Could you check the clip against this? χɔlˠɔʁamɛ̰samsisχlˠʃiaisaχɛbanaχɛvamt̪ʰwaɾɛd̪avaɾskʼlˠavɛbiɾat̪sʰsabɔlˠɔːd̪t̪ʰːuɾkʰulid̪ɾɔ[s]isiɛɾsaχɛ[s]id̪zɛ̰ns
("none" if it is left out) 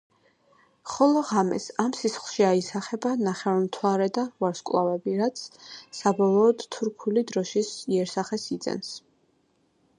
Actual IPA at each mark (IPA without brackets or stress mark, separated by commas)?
ʃ, s